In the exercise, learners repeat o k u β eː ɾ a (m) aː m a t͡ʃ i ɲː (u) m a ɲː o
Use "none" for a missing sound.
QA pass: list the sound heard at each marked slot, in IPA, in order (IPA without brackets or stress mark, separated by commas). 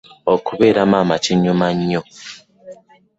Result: m, u